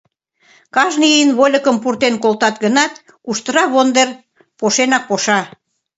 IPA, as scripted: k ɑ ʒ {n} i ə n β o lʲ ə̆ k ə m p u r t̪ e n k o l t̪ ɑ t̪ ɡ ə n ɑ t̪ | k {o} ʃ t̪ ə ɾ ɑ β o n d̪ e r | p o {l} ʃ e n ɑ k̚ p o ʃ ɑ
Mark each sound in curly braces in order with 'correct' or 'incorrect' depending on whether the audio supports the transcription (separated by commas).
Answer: correct, incorrect, incorrect